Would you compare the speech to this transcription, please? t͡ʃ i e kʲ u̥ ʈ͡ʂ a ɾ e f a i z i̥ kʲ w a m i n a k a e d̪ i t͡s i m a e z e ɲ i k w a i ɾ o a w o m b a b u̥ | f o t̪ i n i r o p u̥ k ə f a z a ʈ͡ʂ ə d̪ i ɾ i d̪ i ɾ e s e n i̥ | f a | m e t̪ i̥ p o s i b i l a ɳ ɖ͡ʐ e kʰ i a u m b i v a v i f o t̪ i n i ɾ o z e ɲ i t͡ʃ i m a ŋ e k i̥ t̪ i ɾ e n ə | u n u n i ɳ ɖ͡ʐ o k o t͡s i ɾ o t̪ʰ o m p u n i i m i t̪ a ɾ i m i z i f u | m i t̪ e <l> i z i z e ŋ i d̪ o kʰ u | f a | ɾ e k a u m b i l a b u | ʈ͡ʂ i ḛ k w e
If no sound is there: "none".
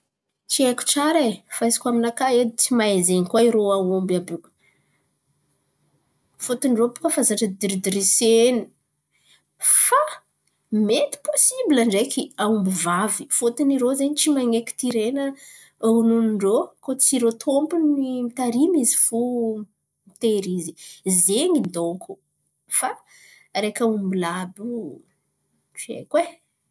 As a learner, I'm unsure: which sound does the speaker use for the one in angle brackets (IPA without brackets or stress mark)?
ɾ